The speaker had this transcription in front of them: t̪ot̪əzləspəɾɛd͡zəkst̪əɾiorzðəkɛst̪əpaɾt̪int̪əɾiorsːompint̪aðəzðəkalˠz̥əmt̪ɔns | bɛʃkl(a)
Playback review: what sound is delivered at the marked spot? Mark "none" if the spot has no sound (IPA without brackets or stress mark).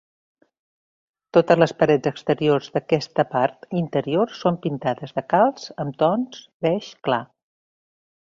a